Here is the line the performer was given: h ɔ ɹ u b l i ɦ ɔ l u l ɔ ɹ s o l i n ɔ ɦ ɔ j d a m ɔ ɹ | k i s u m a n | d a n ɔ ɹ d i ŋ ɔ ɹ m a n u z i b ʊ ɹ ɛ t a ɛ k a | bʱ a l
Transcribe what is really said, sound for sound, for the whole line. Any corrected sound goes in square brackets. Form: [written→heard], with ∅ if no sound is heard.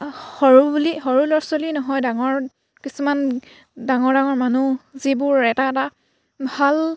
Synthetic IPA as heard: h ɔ ɹ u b l i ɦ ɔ [l→ɹ] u l ɔ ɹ s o l i n ɔ ɦ ɔ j d a [m→ŋ] ɔ ɹ | k i s u m a n | d a [n→ŋ] ɔ ɹ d [i→a] ŋ ɔ ɹ m a n u z i b ʊ ɹ ɛ t a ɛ [k→t] a | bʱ a l